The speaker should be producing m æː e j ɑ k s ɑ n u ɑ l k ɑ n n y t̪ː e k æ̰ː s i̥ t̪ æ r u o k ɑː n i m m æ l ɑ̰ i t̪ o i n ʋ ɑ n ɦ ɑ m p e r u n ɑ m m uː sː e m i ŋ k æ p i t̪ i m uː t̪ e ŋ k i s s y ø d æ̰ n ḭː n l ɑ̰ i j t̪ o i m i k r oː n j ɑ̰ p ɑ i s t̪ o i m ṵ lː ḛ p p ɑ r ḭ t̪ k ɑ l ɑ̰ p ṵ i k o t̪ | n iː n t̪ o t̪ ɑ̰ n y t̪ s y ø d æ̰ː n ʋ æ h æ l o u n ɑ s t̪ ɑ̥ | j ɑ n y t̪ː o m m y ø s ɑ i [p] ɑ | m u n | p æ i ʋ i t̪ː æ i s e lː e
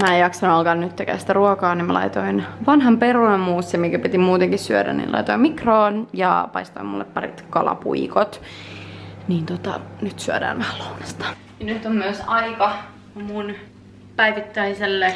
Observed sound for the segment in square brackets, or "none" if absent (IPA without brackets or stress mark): k